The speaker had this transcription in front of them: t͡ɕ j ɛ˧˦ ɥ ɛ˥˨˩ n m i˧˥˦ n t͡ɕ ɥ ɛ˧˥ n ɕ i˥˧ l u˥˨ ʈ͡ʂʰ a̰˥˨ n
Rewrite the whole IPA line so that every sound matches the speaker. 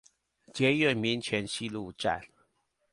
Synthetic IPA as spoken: t͡ɕ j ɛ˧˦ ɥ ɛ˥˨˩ n m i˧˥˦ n t͡ɕʰ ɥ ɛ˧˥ n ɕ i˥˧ l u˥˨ ʈ͡ʂ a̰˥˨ n